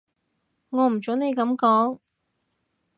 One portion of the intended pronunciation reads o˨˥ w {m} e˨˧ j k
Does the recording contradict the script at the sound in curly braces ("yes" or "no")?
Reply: yes